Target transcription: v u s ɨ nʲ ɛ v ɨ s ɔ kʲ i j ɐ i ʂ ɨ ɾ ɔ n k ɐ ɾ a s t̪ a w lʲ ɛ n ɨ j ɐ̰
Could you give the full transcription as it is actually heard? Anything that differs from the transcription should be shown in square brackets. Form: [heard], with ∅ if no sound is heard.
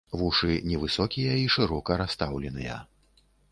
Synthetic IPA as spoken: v u [ʂ] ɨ nʲ ɛ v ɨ s ɔ kʲ i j ɐ i ʂ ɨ ɾ ɔ [∅] k ɐ ɾ a s t̪ a w lʲ ɛ n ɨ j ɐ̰

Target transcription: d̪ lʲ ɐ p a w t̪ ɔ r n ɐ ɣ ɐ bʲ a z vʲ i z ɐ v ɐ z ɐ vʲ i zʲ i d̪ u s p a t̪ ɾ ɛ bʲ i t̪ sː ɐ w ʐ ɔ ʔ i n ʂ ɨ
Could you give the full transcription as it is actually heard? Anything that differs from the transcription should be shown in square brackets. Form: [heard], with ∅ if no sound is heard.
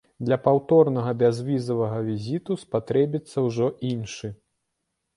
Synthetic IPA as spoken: d̪ lʲ ɐ p a w t̪ ɔ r n ɐ ɣ ɐ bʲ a z vʲ i z ɐ v ɐ [ɣ] ɐ vʲ i zʲ i [t̪] u s p a t̪ ɾ ɛ bʲ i t̪ sː ɐ w ʐ ɔ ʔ i n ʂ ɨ

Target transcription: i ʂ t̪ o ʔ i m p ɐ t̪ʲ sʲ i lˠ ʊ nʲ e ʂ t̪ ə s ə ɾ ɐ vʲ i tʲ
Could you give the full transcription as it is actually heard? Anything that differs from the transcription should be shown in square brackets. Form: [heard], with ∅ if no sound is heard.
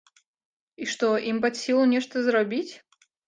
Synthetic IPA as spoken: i ʂ t̪ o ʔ i m p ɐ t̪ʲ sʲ i lˠ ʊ nʲ e ʂ t̪ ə [z] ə ɾ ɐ [bʲ] i tʲ

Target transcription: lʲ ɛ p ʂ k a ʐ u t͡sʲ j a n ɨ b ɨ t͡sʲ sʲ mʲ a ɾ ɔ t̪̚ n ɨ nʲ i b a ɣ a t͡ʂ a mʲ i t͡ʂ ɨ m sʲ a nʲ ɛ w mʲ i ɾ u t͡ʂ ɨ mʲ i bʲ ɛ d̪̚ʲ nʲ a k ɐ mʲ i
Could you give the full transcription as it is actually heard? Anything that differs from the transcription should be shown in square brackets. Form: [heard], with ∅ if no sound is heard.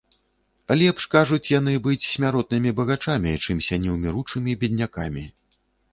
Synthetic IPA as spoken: lʲ ɛ p ʂ k a ʐ u t͡sʲ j a n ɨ b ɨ t͡sʲ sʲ mʲ a ɾ ɔ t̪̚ n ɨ [mʲ] i b [ɐ] ɣ a t͡ʂ a mʲ i t͡ʂ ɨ m sʲ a nʲ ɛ w mʲ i ɾ u t͡ʂ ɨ mʲ i bʲ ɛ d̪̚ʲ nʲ a k [a] mʲ i

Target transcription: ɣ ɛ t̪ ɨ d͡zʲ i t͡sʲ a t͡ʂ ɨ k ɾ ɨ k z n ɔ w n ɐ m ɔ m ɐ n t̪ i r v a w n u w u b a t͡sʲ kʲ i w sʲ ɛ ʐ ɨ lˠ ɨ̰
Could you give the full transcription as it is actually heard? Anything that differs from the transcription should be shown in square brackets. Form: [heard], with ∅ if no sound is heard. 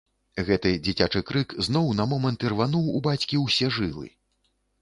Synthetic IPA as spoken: ɣ ɛ t̪ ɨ d͡zʲ i t͡sʲ a t͡ʂ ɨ k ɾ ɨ k z n ɔ w n ɐ m ɔ m ɐ n t̪ i r v a [∅] n u w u b a t͡sʲ kʲ i w sʲ ɛ ʐ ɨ lˠ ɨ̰

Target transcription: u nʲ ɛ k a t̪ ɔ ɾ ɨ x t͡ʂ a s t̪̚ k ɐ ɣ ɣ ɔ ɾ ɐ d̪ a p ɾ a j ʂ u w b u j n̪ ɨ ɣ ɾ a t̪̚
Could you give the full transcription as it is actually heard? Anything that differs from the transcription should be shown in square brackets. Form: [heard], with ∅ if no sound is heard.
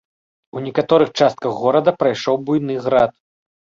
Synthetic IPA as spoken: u nʲ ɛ k a t̪ ɔ ɾ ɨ x t͡ʂ a s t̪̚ k ɐ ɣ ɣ ɔ ɾ ɐ d̪ [ɐ] p ɾ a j ʂ [ɔ] w b u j n̪ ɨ ɣ ɾ a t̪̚

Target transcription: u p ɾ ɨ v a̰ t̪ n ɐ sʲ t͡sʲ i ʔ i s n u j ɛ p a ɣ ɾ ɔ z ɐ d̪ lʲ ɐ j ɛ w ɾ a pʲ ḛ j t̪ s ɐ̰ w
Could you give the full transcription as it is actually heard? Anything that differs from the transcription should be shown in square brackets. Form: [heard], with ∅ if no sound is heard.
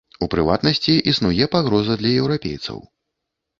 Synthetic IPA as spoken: u p ɾ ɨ v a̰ t̪ n ɐ sʲ t͡sʲ i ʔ i s n u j ɛ p a ɣ ɾ ɔ z ɐ d̪ lʲ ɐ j ɛ w ɾ a pʲ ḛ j t̪ s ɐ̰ w

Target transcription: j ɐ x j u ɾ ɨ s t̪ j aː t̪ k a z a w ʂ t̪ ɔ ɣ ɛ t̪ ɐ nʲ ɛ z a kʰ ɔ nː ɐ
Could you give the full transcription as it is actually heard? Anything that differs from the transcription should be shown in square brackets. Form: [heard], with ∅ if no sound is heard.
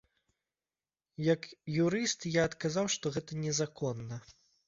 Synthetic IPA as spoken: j ɐ [k] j u ɾ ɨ s t̪ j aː t̪ k a z a w ʂ t̪ ɔ ɣ ɛ t̪ ɐ nʲ ɛ z a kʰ ɔ nː ɐ

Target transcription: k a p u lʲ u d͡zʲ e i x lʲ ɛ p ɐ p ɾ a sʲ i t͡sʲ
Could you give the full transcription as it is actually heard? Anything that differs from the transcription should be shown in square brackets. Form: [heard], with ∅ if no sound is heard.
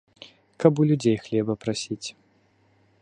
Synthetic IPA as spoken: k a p u lʲ u d͡zʲ e [j] x lʲ ɛ [b] ɐ p ɾ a sʲ i t͡sʲ

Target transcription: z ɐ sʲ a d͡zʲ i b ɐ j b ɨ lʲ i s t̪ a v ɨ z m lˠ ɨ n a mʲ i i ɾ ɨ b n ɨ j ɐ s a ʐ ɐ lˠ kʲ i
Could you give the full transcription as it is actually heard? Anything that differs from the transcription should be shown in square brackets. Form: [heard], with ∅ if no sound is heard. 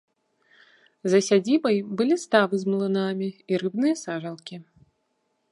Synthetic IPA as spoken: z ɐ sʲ a d͡zʲ i b ɐ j b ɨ lʲ i s t̪ a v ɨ z m lˠ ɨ n a mʲ i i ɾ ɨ b n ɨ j ɐ s a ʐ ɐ lˠ kʲ i

